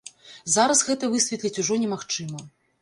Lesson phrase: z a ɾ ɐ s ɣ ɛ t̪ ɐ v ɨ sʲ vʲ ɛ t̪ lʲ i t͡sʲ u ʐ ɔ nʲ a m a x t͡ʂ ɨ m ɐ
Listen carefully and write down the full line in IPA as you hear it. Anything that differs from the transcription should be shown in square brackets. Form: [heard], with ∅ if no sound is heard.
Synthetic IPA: z a ɾ ɐ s ɣ ɛ t̪ ɐ v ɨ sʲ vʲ ɛ t̪ lʲ i t͡sʲ u ʐ ɔ nʲ [ɛ] m a x t͡ʂ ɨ m ɐ